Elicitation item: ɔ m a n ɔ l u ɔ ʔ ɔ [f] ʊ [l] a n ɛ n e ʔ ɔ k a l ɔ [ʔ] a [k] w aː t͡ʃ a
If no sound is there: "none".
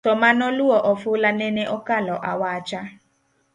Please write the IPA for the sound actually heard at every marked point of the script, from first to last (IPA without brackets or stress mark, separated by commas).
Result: f, l, ʔ, none